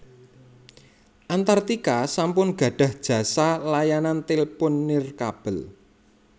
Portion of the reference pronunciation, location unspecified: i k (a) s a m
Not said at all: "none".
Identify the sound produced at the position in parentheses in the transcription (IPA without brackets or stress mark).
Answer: a